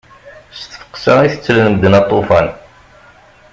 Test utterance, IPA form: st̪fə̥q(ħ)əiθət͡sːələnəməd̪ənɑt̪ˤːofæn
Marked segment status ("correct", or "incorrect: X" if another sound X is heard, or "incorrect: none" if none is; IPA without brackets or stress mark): incorrect: s